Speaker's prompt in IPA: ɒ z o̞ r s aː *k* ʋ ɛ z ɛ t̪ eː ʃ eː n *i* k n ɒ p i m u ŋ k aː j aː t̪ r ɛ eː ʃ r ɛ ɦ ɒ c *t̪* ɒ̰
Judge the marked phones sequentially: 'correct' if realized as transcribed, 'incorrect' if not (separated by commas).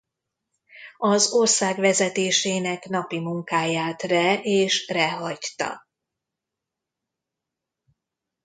incorrect, incorrect, correct